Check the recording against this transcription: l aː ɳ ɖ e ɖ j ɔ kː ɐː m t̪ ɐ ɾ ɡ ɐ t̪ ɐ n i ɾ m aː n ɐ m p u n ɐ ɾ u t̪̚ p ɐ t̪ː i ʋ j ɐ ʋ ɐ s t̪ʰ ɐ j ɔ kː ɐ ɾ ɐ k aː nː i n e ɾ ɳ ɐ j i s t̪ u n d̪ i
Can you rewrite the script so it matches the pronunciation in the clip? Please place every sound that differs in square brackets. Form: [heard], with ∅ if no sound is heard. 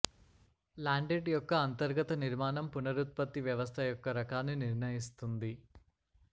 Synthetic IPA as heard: l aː ɳ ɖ e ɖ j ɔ kː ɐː [n] t̪ ɐ ɾ ɡ ɐ t̪ ɐ n i ɾ m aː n ɐ m p u n ɐ ɾ u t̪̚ p ɐ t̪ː i ʋ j ɐ ʋ ɐ s t̪ʰ ɐ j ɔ kː ɐ ɾ ɐ k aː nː i n [i] ɾ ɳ ɐ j i s t̪ u n d̪ i